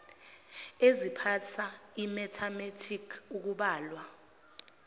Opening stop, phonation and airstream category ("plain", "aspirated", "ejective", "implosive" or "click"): aspirated